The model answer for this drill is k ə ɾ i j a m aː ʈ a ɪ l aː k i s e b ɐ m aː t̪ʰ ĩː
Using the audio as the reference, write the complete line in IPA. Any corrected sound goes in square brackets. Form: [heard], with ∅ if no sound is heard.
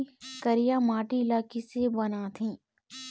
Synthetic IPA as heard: k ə ɾ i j a m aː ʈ [i] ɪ l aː k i s e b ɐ [n] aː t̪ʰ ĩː